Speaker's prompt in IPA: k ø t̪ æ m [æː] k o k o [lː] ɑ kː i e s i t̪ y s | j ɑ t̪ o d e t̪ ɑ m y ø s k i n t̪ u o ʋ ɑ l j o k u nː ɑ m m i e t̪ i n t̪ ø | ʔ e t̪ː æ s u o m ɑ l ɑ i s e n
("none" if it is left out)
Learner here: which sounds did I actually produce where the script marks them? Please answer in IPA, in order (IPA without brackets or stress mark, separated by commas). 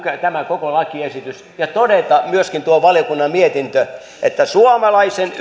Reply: æ, l